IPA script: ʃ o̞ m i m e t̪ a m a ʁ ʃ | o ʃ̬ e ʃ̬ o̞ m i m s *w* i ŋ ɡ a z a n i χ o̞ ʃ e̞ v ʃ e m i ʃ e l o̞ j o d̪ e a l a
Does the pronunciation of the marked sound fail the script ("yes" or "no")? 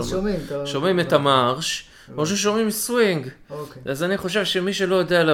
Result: no